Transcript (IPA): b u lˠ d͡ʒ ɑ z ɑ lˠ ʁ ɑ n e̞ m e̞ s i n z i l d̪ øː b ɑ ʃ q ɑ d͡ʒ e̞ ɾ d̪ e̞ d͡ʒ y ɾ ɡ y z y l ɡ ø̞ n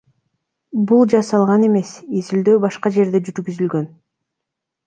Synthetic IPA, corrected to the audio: b u lˠ d͡ʒ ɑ s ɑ lˠ ʁ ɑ n e̞ m e̞ s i z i l d̪ øː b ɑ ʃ q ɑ d͡ʒ e̞ ɾ d̪ e̞ d͡ʒ y ɾ ɡ y z y l ɡ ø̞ n